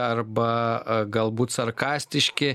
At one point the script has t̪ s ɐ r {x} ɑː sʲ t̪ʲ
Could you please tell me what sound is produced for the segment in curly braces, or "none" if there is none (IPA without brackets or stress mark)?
k